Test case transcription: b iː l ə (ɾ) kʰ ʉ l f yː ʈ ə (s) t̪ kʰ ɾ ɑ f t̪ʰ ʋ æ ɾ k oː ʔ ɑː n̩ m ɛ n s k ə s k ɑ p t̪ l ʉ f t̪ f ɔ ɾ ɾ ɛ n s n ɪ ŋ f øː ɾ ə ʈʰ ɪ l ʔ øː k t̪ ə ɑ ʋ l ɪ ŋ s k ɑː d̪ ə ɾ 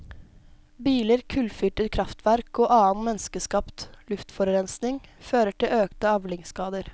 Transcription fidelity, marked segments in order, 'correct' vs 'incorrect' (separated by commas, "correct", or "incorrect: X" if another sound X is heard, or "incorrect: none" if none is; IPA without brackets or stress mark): correct, incorrect: none